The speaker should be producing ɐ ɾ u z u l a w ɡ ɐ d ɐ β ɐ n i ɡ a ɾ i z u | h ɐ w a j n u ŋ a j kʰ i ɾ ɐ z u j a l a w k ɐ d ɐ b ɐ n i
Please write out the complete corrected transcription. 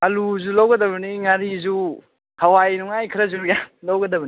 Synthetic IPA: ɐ l u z u l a w ɡ ɐ d ɐ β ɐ n i ŋ a ɾ i z u | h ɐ w a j n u ŋ a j kʰ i ɾ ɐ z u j a l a w ɡ ɐ d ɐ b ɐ n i